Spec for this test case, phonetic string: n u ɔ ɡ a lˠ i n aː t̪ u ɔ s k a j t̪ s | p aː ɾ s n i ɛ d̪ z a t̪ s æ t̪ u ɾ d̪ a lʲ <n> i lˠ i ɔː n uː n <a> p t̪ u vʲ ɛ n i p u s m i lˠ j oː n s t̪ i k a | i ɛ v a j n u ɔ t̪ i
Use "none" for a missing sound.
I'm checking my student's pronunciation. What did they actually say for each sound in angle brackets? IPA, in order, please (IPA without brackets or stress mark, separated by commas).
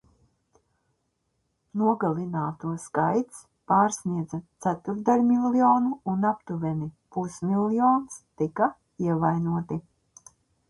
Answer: m, a